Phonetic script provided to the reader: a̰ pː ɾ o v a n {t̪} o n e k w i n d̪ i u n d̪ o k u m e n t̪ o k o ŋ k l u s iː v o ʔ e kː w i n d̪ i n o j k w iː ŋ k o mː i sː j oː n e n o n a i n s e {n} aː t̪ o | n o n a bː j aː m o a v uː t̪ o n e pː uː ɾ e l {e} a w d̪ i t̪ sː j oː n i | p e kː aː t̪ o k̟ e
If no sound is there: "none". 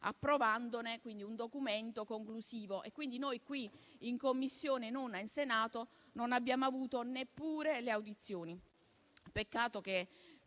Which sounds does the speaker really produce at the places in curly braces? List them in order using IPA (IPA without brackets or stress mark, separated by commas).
d̪, n, e